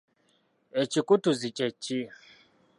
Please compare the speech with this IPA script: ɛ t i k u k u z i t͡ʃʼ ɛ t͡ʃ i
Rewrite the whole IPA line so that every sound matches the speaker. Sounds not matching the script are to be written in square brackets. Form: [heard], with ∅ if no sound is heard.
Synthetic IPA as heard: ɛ [t͡ʃ] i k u [t] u z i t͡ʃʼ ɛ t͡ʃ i